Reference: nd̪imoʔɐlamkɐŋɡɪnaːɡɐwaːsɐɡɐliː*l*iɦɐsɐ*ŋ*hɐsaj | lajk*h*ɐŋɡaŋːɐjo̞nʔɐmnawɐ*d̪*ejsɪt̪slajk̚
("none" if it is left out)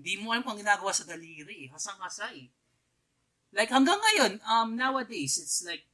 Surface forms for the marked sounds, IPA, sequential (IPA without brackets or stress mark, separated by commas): ɾ, ŋ, h, d̪